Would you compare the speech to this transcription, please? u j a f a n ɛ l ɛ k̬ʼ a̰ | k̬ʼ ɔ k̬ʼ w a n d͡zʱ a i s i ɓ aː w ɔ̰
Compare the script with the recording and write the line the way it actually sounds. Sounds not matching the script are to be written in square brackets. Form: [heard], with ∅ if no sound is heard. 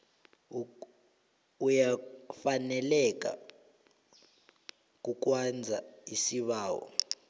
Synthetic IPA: u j a f a n ɛ l ɛ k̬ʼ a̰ | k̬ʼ [u] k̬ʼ w a n d͡zʱ a i s i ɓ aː w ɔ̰